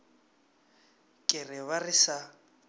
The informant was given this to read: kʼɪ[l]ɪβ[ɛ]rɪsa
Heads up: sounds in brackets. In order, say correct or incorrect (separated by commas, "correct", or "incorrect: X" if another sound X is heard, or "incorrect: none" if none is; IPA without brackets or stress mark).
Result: incorrect: r, incorrect: a